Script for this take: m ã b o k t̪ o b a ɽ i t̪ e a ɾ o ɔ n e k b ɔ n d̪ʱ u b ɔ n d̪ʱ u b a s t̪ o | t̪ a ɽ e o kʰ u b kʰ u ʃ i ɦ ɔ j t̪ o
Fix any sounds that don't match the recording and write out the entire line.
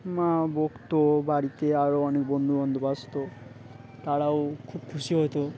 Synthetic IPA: m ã b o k t̪ o b a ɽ i t̪ e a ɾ o ɔ n e k b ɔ n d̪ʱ u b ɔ n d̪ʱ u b a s t̪ o | t̪ a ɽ a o kʰ u b kʰ u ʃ i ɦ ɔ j t̪ o